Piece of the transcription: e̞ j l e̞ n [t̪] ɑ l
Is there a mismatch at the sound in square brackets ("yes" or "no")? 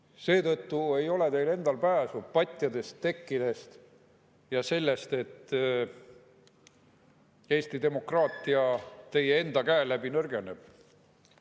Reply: yes